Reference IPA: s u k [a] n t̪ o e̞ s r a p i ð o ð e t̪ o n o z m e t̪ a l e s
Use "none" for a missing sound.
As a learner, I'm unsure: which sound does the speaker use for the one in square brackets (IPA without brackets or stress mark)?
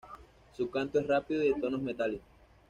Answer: a